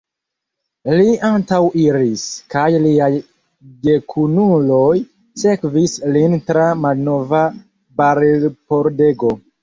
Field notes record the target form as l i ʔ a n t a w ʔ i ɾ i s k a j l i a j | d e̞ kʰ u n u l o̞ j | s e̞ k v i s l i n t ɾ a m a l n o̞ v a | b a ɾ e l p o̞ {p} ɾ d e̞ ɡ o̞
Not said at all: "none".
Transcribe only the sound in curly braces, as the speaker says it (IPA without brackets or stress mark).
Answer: none